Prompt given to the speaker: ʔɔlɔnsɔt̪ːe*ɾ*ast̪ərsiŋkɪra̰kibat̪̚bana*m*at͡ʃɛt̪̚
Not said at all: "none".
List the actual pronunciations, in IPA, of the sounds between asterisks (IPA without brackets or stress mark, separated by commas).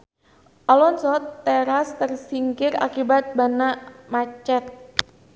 ɾ, m